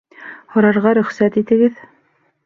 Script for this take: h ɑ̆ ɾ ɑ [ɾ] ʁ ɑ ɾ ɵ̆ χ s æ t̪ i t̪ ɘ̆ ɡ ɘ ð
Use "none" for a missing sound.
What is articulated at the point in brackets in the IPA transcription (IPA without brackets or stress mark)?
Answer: ɾ